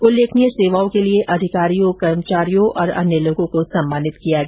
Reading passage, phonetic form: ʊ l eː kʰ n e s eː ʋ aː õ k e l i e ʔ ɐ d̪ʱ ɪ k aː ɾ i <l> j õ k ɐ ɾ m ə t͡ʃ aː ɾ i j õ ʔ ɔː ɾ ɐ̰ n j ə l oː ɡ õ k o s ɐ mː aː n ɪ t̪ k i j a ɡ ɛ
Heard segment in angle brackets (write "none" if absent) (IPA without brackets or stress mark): none